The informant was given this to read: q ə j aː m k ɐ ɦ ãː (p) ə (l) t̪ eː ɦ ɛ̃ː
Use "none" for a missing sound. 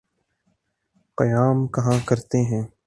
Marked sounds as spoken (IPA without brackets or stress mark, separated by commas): k, ɾ